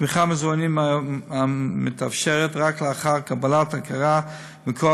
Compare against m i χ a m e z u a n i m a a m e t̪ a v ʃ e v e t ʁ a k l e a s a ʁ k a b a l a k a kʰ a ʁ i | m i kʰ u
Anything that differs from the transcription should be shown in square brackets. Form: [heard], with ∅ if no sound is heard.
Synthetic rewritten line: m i χ a m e z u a n i m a a m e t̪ a [f] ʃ e [ʁ] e t ʁ a k l e a [χ] a ʁ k a b a l a [t] a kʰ a ʁ [a] | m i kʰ [o]